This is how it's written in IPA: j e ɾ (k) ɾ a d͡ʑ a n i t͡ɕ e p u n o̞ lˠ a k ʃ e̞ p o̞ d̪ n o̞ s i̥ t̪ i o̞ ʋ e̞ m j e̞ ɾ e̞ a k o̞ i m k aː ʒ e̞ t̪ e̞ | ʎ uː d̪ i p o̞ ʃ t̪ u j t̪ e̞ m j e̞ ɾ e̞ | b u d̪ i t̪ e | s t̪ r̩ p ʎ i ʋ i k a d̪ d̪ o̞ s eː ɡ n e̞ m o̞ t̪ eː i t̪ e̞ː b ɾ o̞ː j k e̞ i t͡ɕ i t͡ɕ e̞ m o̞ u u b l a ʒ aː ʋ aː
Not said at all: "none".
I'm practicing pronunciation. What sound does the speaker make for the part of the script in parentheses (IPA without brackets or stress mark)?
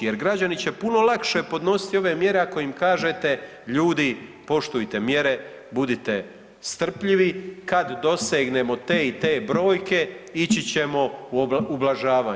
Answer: ɡ